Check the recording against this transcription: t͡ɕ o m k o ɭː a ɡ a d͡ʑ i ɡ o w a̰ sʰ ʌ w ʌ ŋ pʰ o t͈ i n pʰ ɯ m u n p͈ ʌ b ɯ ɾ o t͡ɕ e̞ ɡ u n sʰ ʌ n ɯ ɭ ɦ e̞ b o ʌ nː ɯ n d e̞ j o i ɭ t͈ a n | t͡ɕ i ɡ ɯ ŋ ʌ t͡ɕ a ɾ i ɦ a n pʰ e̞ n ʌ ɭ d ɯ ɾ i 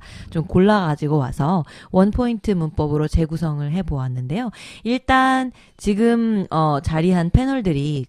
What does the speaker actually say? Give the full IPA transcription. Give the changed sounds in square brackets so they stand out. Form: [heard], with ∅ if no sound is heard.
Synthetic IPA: t͡ɕ o m k o ɭː a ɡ a d͡ʑ i ɡ o w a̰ sʰ ʌ w ʌ [n] pʰ o [∅] i n [tʰ] ɯ m u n p͈ ʌ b ɯ ɾ o t͡ɕ e̞ ɡ u [∅] sʰ ʌ [ŋ] ɯ ɭ ɦ e̞ b o [a] nː ɯ n d e̞ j o i ɭ t͈ a n | t͡ɕ i ɡ ɯ [m] ʌ t͡ɕ a ɾ i ɦ a n pʰ e̞ n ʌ ɭ d ɯ ɾ i